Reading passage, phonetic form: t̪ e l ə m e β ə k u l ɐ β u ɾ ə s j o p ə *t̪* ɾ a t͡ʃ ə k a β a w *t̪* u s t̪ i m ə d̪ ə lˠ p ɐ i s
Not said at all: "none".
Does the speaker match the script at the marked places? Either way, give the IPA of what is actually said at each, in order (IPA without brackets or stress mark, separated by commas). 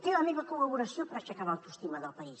none, t̪